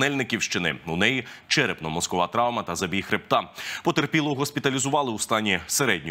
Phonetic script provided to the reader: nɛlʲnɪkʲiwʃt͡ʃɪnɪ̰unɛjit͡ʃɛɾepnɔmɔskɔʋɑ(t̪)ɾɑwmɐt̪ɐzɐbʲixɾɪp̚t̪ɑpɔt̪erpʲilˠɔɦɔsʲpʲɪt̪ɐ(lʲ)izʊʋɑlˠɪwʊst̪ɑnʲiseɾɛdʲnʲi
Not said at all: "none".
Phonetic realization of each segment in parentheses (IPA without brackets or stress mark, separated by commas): t̪, lʲ